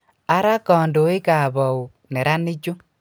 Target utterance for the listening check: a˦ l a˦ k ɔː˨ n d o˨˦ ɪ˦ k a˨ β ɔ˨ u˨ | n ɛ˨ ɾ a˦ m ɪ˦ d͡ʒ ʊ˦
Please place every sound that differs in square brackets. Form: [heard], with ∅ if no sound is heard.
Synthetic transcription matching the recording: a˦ [ɾ] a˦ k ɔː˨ n d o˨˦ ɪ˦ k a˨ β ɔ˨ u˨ | n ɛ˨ ɾ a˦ [n] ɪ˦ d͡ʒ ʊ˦